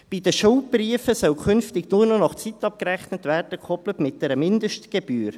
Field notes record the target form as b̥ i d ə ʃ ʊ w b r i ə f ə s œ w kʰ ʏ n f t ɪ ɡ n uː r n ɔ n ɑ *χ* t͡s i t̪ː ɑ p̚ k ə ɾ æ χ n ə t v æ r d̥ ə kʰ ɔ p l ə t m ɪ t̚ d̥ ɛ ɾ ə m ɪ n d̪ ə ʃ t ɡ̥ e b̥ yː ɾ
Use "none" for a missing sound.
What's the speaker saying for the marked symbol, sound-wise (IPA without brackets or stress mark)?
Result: χ